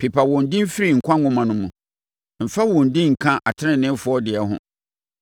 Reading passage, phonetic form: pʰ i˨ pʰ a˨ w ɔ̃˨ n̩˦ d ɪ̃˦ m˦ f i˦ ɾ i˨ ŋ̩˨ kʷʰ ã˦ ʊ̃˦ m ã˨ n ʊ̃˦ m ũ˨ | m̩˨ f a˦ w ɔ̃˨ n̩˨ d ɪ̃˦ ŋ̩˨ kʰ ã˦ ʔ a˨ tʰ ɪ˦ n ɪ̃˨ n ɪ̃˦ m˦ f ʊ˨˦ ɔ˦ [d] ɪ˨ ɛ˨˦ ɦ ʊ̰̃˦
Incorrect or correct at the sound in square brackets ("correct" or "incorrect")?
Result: correct